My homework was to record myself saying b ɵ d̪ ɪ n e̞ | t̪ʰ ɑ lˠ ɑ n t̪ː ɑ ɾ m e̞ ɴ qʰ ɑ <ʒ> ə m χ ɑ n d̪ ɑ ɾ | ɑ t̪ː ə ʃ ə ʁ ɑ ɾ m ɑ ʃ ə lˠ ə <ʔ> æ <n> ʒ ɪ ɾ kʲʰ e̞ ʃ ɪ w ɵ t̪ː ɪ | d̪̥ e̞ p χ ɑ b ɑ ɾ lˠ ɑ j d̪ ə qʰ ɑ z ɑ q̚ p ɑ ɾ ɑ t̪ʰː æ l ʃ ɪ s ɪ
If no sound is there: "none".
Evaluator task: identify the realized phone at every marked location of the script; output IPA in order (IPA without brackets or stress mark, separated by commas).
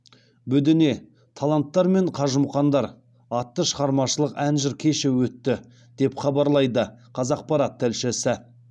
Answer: ʒ, q, n